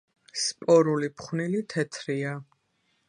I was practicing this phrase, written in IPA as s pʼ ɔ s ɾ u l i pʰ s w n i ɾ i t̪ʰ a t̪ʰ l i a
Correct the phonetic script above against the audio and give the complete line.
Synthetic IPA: s pʼ ɔ ɾ u l i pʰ χ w n i l i t̪ʰ ɛ t̪ʰ ɾ i a